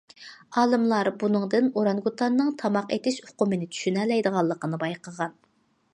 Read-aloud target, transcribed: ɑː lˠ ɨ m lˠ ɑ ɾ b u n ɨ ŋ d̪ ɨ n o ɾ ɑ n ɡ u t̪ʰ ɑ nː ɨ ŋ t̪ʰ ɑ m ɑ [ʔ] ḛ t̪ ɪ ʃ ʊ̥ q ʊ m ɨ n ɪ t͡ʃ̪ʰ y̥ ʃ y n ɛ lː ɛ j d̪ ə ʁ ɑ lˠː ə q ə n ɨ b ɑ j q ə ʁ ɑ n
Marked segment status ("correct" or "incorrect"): incorrect